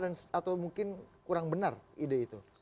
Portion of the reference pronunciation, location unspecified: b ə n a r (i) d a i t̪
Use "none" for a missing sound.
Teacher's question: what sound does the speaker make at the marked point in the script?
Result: i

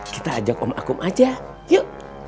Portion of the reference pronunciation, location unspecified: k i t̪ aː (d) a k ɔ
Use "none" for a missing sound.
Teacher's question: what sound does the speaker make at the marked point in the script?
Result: d͡ʒ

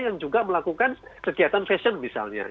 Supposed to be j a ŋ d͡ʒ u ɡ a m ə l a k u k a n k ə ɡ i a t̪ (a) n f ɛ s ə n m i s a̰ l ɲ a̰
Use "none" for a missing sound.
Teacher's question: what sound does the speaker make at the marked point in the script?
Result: a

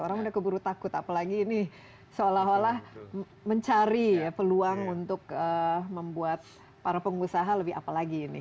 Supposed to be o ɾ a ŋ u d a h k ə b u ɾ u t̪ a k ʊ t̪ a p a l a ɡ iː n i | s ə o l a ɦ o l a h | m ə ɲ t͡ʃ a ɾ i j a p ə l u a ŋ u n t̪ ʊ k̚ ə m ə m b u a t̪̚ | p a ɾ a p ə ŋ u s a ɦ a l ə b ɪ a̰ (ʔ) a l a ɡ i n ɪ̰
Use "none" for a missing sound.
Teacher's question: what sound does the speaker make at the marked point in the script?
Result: p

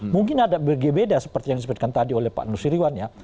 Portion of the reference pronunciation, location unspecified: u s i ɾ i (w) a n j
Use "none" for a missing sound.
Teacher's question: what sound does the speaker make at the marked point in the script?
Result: w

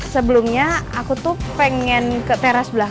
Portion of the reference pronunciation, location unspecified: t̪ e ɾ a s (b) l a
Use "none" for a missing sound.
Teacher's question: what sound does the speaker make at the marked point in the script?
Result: b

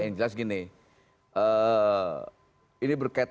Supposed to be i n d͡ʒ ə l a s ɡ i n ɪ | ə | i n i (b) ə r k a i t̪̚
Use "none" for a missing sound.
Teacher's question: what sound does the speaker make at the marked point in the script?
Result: b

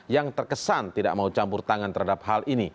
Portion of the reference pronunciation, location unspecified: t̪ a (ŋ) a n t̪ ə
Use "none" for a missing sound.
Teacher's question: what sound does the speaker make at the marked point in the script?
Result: ŋ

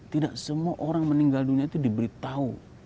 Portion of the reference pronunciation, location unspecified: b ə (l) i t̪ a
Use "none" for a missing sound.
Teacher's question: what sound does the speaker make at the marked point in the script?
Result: ɾ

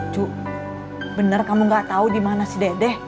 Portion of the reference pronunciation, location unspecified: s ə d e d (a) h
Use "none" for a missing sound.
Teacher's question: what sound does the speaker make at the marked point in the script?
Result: ɛ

